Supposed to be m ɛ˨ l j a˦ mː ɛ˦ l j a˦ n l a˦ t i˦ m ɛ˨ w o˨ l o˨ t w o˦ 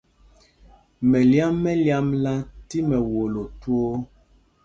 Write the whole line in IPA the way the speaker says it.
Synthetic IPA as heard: m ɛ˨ l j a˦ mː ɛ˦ l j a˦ m l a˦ t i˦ m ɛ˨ w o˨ l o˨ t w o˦